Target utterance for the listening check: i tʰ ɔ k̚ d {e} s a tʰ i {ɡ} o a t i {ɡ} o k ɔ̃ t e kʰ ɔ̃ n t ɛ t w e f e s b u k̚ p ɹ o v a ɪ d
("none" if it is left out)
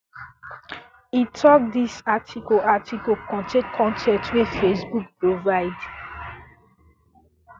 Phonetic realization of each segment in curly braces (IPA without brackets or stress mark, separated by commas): i, k, k